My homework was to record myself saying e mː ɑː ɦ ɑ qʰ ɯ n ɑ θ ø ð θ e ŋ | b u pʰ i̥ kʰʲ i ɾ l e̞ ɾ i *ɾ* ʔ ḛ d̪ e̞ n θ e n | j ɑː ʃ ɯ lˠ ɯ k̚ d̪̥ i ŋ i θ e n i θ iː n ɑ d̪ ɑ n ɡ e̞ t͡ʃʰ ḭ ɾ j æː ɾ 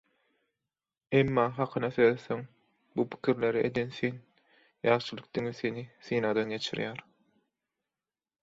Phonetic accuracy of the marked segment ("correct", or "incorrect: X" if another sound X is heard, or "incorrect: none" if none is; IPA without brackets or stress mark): incorrect: none